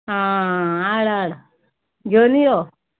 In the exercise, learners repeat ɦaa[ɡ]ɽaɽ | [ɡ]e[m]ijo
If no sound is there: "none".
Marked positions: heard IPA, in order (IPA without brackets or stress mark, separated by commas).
none, ɡ, n